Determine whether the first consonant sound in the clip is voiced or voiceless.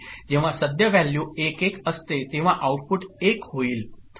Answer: voiced